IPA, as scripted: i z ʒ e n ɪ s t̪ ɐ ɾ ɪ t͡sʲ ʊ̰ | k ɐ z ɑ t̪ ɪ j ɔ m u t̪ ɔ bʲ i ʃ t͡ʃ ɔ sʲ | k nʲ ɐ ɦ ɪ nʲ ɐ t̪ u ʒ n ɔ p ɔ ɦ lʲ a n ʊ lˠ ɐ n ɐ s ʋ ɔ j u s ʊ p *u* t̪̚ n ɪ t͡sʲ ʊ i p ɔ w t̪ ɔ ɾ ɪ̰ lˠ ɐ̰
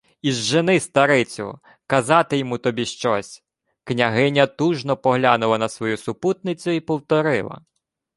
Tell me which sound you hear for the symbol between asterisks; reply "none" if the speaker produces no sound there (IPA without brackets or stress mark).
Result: u